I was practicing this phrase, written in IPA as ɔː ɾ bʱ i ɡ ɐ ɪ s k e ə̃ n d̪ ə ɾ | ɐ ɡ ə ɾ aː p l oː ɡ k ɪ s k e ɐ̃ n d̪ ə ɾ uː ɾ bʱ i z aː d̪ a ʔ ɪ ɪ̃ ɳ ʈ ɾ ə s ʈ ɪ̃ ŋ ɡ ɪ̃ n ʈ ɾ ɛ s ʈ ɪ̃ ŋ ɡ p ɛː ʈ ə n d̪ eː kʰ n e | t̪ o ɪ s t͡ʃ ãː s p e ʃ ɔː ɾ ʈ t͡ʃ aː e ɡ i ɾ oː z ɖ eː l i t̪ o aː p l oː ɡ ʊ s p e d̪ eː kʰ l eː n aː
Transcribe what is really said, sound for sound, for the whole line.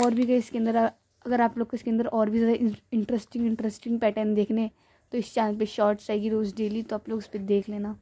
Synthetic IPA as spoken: ɔː ɾ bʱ i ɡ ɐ ɪ s k e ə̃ n d̪ ə ɾ | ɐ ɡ ə ɾ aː p l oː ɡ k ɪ s k e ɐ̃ n d̪ ə ɾ ɔː ɾ bʱ i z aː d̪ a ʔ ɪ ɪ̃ ɳ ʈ ɾ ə s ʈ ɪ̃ ŋ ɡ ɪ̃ ɳ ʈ ɾ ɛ s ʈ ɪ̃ ŋ ɡ p ɛː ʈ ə n d̪ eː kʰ n e | t̪ o ɪ s t͡ʃ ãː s p e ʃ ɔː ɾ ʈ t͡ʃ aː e ɡ i ɾ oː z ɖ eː l i t̪ o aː p l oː ɡ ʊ s p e d̪ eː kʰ l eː n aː